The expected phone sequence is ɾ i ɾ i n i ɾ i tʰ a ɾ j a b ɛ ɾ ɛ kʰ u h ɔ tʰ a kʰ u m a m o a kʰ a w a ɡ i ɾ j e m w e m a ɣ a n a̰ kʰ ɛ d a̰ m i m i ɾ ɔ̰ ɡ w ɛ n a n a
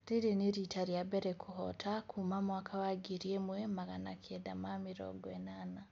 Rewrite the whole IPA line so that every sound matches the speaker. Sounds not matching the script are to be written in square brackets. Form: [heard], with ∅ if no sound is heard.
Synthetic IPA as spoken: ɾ i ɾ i n i ɾ i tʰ a ɾ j a b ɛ ɾ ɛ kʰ u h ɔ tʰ a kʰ u m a m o a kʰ a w a ɡ i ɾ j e m w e m a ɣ a n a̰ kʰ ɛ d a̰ m [a] m i ɾ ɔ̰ ɡ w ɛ n a n a